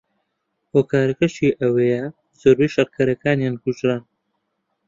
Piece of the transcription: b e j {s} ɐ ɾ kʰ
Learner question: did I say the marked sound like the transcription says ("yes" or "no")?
no